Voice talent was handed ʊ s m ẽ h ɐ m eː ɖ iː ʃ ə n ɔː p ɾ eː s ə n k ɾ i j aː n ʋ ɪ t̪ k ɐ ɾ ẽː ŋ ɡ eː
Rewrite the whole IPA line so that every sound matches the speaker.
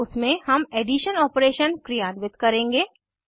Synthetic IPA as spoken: ʊ s m ẽ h ɐ m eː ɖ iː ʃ ə n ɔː p ɾ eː ʃ ə n k ɾ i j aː n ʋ ɪ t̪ k ɐ ɾ ẽː ŋ ɡ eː